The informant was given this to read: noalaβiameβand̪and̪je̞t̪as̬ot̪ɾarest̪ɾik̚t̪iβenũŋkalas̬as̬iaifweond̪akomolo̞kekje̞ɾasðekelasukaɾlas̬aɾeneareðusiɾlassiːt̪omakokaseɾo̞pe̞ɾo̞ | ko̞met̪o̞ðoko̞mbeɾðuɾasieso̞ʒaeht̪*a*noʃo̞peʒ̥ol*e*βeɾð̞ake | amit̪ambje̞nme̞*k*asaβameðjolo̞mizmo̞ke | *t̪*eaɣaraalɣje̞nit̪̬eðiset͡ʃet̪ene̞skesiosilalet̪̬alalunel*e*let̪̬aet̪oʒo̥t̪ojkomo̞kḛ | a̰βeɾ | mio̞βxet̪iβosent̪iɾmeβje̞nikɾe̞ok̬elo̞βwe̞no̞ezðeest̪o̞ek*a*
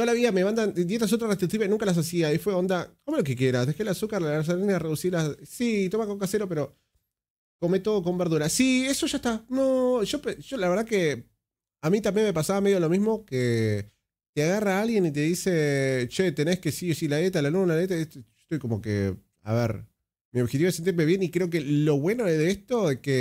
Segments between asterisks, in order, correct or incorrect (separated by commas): correct, incorrect, incorrect, correct, incorrect, incorrect